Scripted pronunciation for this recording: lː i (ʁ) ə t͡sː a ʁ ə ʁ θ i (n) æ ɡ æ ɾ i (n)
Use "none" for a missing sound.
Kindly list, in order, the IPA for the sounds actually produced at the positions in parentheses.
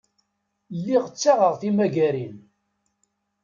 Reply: ʁ, m, n

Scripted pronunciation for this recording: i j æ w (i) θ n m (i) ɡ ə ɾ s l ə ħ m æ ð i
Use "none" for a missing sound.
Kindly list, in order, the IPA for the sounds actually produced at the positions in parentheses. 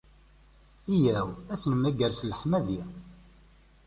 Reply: æ, æ

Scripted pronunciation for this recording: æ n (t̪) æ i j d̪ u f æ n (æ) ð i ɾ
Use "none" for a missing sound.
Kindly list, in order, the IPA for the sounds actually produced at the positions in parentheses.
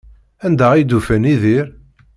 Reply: d̪, i

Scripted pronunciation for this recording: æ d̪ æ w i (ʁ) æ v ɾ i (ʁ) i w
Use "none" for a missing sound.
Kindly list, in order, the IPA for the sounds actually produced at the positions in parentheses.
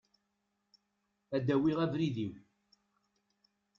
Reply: ʁ, ð

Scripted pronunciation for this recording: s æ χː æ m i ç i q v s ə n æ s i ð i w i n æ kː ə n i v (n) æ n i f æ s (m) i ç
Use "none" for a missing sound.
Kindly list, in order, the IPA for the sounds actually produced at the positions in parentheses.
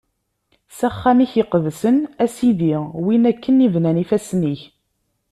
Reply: n, n

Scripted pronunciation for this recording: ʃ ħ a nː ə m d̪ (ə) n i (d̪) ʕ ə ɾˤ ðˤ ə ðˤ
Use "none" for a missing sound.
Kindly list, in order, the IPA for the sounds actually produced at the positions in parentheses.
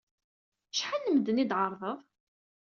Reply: ə, d̪

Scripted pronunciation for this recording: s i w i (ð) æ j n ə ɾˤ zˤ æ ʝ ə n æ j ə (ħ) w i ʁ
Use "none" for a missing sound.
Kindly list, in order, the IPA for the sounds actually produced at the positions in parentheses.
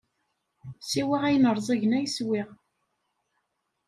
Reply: ʁ, s

